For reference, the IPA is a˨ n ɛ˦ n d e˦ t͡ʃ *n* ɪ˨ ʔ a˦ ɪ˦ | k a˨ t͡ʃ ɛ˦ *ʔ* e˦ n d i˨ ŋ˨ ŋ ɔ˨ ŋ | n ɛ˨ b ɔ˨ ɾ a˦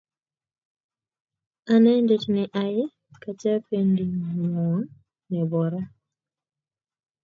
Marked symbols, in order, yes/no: yes, no

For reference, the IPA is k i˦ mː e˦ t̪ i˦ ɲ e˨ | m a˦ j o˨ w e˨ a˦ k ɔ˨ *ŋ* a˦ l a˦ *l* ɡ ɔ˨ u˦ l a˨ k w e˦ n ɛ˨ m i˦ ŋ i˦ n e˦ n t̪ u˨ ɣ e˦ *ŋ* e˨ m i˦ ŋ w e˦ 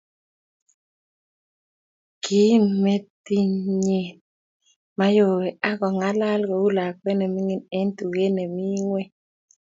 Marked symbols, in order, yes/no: yes, yes, no

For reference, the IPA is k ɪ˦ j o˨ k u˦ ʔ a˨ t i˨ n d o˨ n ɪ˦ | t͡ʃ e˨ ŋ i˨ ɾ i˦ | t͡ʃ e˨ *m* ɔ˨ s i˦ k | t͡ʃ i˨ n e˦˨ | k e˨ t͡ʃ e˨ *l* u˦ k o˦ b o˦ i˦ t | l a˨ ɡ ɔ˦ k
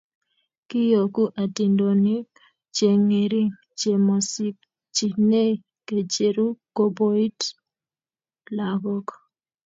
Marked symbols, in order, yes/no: yes, no

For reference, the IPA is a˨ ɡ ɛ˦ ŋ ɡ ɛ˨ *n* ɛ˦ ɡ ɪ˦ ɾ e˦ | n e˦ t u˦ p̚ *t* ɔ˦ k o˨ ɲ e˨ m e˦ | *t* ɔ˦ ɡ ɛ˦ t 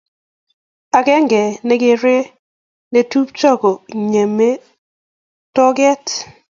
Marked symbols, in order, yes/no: yes, no, yes

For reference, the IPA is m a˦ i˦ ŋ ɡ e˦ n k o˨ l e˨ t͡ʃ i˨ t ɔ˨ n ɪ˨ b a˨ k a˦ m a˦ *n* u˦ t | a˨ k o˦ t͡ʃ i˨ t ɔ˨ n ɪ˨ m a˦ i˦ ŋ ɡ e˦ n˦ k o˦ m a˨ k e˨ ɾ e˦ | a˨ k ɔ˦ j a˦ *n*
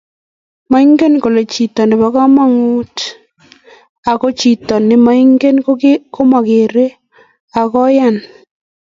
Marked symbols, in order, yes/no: no, yes

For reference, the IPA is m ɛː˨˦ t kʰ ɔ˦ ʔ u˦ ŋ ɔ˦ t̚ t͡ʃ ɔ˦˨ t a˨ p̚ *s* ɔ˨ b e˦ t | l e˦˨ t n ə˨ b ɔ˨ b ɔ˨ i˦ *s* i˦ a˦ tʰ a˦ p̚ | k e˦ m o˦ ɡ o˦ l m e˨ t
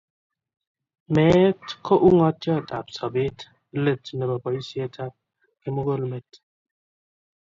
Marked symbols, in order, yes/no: yes, yes

